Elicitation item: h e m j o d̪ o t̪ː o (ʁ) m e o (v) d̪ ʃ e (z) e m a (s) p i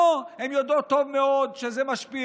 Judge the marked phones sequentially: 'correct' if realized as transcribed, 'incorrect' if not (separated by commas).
incorrect, incorrect, correct, incorrect